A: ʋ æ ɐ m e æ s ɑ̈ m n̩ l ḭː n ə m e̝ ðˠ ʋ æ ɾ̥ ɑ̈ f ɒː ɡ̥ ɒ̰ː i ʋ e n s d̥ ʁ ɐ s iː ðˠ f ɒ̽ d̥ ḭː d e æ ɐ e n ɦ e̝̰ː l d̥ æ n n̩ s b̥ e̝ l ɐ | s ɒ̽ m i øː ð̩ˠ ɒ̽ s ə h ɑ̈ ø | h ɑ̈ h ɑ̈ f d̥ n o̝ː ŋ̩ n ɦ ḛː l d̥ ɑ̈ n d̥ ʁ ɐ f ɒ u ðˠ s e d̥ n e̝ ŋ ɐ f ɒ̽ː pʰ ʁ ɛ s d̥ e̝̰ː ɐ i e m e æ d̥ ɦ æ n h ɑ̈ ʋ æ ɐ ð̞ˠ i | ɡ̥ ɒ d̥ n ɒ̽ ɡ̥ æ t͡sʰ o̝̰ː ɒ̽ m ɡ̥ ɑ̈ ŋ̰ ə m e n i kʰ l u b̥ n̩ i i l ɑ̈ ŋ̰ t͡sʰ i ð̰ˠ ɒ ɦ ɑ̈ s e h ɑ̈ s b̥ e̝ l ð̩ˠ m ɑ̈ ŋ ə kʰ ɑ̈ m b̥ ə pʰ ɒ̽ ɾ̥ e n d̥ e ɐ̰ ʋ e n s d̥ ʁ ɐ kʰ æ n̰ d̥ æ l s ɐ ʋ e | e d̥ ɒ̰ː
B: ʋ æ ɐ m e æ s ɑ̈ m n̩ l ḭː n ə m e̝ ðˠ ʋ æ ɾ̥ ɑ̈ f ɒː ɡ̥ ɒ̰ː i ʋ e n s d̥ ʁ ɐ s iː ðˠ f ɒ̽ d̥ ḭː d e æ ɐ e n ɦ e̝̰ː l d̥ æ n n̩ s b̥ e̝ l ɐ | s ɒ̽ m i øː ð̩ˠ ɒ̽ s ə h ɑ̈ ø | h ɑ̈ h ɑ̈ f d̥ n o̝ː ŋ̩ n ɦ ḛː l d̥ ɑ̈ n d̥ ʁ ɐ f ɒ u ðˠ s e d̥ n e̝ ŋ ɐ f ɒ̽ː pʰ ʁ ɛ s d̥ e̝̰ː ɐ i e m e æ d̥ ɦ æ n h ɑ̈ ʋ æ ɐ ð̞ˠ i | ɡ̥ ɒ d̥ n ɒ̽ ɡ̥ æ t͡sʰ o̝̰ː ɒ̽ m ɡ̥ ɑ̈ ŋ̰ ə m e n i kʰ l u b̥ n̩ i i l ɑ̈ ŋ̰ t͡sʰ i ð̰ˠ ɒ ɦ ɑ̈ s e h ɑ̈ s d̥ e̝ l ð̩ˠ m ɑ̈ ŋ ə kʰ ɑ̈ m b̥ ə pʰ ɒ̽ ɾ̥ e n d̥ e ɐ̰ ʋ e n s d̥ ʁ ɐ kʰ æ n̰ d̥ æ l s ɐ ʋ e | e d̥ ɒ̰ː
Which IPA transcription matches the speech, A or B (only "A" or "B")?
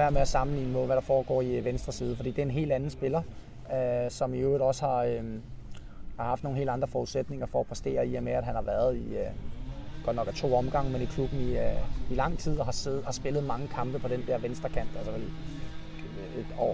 A